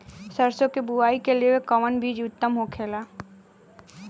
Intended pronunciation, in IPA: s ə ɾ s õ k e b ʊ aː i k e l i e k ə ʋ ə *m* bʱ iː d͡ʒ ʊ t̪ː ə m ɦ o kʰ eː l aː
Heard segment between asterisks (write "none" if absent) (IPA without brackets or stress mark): n